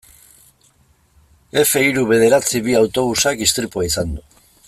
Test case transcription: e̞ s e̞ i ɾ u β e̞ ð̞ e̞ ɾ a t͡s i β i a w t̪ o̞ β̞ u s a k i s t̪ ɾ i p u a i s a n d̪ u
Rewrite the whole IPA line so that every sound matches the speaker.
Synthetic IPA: e̞ f e̞ i ɾ u β e̞ ð̞ e̞ ɾ a t͡s i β i a w t̪ o̞ β̞ u s a k i s t̪ ɾ i p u a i s a n d̪ u